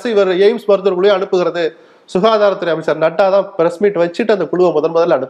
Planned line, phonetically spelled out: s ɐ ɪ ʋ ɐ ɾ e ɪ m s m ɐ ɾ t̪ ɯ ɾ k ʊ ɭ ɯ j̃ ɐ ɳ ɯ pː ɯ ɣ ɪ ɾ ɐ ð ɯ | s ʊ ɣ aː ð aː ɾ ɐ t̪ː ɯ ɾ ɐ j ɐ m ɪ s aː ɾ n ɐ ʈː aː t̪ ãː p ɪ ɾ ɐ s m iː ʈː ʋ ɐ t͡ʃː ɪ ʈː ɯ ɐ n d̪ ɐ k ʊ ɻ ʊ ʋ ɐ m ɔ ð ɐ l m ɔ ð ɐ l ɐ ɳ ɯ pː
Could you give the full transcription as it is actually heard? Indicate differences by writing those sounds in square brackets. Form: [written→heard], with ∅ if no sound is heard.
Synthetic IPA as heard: s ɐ ɪ ʋ ɐ ɾ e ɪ m s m ɐ ɾ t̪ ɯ ɾ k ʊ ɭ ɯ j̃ ɐ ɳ ɯ pː ɯ ɣ ɪ ɾ ɐ ð ɯ | s ʊ ɣ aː ð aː ɾ ɐ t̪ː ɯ ɾ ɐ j ɐ m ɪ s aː ɾ n ɐ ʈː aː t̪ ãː p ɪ ɾ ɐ s m iː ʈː ʋ ɐ t͡ʃː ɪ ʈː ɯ ɐ n d̪ ɐ k ʊ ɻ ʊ ʋ ɐ m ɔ ð ɐ l m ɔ ð ɐ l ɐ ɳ ɯ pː